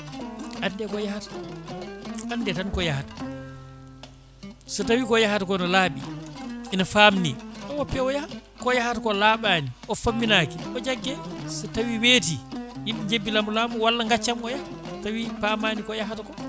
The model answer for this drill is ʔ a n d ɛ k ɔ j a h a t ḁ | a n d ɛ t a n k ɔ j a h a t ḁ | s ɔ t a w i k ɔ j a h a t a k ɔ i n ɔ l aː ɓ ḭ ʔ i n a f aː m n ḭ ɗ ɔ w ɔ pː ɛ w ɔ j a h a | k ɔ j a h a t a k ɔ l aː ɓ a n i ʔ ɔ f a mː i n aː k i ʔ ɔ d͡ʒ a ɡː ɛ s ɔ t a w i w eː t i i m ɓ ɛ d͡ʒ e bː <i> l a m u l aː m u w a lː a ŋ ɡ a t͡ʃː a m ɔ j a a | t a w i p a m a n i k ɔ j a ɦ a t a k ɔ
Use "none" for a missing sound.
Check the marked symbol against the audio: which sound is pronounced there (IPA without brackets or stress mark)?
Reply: i